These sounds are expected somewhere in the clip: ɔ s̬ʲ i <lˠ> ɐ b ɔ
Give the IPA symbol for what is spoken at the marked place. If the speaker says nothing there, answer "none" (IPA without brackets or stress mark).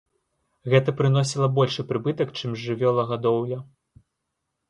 lˠ